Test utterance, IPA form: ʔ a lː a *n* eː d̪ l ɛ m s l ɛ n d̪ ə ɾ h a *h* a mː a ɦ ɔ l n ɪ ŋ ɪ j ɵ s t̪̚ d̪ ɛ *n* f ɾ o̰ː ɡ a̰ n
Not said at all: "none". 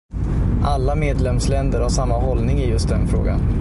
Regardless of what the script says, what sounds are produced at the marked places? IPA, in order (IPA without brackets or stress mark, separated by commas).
m, ʂ, n